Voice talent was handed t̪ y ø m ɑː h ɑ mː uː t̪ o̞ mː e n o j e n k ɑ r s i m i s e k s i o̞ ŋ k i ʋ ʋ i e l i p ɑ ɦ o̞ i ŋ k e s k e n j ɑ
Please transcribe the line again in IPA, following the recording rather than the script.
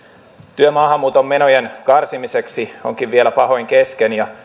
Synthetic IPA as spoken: t̪ y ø m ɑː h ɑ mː uː t̪ o̞ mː e n o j e n k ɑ r s i m i s e k s i o̞ ŋ k i ʋ ʋ i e l æ p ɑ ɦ o̞ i ŋ k e s k e n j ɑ